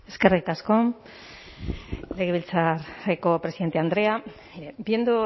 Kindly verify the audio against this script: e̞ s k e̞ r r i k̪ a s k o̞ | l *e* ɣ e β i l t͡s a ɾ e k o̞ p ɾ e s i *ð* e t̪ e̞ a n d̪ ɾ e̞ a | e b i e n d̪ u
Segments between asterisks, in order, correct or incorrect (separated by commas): correct, correct